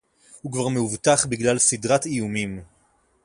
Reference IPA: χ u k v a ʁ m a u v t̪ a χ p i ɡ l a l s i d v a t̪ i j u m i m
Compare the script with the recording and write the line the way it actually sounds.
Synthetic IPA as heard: h u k v a ʁ m e u v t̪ a χ b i ɡ l a l s i d ʁ a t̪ i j u m i m

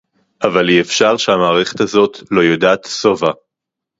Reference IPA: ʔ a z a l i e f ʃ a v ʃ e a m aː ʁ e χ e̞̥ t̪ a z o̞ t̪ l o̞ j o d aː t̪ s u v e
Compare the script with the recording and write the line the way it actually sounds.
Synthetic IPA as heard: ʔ a v a l i e f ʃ a ʁ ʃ e a m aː ʁ e χ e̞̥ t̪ a z o̞ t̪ l o̞ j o d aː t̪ s o v a

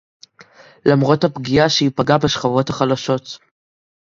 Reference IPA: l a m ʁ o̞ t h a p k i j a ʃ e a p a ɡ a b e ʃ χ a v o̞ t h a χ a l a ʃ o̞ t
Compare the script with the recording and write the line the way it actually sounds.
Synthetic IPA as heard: l a m ʁ o̞ t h a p ɡ i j a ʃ e i p a ɡ a b e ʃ χ a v o̞ t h a χ a l a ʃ o̞ t

